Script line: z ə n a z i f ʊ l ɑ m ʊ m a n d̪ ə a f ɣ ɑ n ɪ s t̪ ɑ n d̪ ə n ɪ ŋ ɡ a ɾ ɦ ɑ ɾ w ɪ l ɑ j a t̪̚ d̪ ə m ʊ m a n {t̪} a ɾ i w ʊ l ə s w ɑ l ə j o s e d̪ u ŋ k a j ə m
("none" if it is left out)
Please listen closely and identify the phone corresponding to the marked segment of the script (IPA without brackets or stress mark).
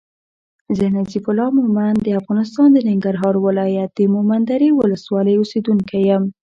d̪